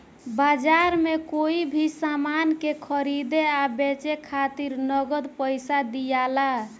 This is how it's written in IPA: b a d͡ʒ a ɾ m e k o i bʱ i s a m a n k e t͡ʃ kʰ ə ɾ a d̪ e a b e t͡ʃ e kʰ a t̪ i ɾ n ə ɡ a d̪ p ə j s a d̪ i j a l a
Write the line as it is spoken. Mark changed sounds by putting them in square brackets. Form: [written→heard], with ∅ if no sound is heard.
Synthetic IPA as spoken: b a d͡ʒ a ɾ m e k o i bʱ i s a m a n k e [t͡ʃ→∅] kʰ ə ɾ [a→i] d̪ e a b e t͡ʃ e kʰ a t̪ i ɾ n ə ɡ [a→ə] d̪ p ə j s a d̪ i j a l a